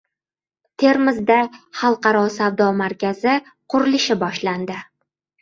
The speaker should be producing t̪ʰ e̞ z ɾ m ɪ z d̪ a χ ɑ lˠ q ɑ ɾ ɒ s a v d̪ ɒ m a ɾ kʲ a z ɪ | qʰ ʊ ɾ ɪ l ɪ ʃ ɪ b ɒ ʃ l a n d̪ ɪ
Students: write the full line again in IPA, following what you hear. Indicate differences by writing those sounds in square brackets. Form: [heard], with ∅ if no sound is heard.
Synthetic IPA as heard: t̪ʰ e̞ [∅] ɾ m ɪ z d̪ a χ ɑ lˠ q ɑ ɾ ɒ s a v d̪ ɒ m a ɾ kʲ a z ɪ | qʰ ʊ ɾ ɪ l ɪ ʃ ɪ b ɒ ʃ l a n d̪ ɪ